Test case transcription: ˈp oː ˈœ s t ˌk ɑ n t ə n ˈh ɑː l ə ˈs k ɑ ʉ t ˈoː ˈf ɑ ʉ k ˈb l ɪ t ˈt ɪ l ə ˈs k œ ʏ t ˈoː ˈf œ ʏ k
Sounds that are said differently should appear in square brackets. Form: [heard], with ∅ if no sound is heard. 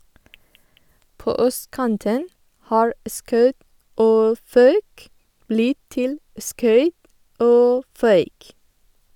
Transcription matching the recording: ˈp oː ˈœ s t ˌk ɑ n t ə n ˈh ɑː [ɹ] ə ˈs k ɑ ʉ t ˈoː ˈf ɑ ʉ k ˈb l ɪ t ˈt ɪ l ə ˈs k œ ʏ t ˈoː ˈf œ ʏ k